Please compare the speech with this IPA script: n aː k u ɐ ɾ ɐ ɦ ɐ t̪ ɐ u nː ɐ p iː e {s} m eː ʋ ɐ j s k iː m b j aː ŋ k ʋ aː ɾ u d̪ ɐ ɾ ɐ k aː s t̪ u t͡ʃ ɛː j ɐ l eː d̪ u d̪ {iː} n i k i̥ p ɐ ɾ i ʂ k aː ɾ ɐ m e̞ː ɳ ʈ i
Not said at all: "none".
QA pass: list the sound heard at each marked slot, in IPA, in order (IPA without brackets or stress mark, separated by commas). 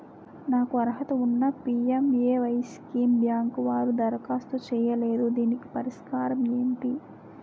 none, iː